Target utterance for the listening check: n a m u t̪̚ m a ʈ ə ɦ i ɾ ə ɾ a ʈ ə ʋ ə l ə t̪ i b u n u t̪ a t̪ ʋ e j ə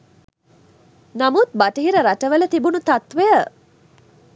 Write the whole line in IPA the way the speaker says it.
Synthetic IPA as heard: n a m u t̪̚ b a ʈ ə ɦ i ɾ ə ɾ a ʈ ə ʋ ə l ə t̪ i b u n u t̪ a t̪ ʋ e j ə